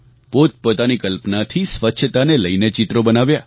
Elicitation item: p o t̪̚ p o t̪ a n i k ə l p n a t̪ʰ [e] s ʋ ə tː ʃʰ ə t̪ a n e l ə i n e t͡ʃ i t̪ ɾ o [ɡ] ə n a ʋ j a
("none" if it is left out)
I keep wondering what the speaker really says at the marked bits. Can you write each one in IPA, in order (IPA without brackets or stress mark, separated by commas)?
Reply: i, b